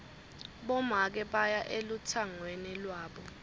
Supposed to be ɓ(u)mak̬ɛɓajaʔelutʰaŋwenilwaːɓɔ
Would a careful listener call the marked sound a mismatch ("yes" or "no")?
yes